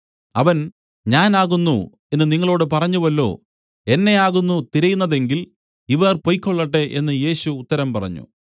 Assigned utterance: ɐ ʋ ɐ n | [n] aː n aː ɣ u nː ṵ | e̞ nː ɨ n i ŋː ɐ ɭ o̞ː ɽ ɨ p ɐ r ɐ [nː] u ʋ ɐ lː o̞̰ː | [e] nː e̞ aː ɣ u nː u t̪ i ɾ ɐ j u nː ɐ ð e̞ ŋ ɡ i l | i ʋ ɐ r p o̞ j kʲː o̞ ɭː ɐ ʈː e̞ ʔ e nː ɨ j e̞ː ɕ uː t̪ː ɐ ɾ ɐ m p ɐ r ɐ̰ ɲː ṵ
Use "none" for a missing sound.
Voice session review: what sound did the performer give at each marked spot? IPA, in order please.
ɲ, ɲː, e

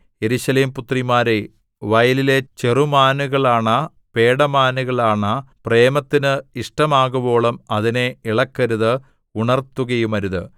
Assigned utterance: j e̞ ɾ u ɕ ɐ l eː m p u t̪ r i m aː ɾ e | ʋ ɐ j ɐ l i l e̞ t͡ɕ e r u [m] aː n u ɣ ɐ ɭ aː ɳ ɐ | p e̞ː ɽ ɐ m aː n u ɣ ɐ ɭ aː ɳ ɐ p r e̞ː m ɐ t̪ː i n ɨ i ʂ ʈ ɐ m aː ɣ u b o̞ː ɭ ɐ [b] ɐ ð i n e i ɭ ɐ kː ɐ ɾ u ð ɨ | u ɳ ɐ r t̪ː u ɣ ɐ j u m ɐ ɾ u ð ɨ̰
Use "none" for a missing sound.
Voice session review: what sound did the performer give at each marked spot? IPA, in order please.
m, m

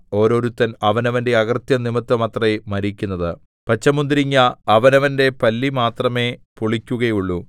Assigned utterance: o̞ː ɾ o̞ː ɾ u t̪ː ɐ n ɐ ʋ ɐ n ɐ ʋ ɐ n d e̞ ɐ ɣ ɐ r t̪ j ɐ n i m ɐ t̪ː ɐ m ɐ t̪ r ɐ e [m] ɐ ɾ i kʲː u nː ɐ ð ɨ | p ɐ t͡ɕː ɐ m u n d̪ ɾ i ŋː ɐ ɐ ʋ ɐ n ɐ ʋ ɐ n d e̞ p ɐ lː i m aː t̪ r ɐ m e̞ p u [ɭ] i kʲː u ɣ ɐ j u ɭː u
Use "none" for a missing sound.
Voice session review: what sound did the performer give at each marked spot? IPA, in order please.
m, ɭ

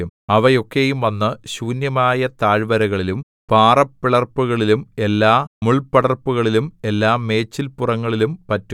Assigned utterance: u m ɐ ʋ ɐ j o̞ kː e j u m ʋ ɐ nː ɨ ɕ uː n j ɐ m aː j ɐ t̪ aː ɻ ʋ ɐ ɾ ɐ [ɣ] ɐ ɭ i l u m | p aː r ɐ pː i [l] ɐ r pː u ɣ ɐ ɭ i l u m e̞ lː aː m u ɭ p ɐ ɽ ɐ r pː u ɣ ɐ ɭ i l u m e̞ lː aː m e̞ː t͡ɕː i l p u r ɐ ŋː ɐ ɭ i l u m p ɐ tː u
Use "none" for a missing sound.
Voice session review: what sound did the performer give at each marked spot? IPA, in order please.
ɣ, ɭ

